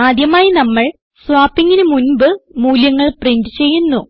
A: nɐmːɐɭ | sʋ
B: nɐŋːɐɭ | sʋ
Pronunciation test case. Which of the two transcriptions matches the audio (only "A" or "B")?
A